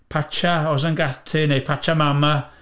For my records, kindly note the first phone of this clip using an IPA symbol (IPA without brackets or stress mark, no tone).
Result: pʰ